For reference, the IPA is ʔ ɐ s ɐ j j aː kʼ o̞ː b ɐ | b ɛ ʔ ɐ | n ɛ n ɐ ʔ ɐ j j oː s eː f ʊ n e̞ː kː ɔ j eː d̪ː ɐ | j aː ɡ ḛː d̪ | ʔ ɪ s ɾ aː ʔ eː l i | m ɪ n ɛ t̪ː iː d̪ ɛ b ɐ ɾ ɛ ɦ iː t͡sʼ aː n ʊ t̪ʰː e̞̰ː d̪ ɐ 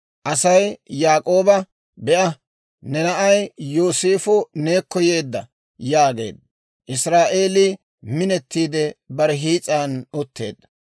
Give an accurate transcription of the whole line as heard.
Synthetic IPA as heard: ʔ ɐ s ɐ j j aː kʼ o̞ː b ɐ | b ɛ ʔ ɐ | n ɛ n ɐ ʔ ɐ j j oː s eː f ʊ n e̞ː kː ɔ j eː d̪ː ɐ | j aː ɡ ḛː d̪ | ʔ ɪ s ɾ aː ʔ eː l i | m ɪ n ɛ t̪ː iː d̪ ɛ b ɐ ɾ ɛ ɦ iː t͡sʼ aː n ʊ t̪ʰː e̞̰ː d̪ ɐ